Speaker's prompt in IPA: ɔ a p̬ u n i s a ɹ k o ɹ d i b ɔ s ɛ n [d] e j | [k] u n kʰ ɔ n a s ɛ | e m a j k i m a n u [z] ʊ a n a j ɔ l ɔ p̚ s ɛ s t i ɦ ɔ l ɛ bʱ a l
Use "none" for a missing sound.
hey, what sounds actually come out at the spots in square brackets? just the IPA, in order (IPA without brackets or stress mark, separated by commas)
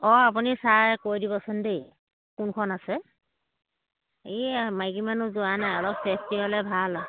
d, k, z